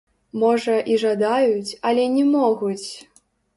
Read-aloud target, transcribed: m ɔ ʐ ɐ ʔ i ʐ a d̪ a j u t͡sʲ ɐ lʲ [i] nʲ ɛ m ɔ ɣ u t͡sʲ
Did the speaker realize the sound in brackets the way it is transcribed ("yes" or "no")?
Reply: no